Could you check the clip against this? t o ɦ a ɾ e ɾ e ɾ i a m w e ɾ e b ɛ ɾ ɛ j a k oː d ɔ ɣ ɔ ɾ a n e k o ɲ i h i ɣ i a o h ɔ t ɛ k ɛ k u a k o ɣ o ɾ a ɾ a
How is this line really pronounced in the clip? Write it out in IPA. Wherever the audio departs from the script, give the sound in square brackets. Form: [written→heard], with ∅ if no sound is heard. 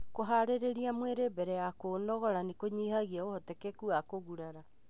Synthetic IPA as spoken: [t→k] o ɦ a ɾ e ɾ e ɾ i a m w e ɾ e b ɛ ɾ ɛ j a k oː [d→n] ɔ ɣ ɔ ɾ a n e k o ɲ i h [i→a] ɣ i a o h ɔ t ɛ k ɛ k u a k o ɣ [o→u] ɾ a ɾ a